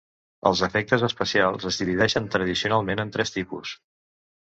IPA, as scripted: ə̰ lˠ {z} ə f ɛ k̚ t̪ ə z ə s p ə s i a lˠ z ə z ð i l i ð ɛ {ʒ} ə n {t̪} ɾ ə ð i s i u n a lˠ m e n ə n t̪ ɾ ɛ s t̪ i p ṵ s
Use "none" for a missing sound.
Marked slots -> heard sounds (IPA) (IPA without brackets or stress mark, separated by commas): z, ʃ, t̪